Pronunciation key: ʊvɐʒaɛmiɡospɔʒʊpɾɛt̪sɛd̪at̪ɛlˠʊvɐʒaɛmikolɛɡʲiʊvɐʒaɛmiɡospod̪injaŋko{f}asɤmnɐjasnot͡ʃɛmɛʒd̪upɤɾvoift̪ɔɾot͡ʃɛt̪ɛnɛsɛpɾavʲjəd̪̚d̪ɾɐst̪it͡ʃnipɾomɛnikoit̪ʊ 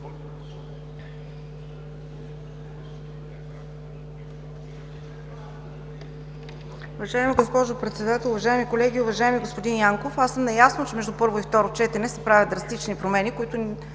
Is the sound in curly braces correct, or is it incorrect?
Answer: correct